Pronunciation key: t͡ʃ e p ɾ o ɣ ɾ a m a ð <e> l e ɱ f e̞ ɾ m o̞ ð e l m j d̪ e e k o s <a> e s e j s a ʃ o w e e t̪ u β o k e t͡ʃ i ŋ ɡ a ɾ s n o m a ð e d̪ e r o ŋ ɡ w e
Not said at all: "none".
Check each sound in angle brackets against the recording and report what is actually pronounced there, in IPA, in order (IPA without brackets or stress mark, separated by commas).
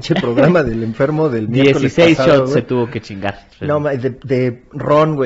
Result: e, i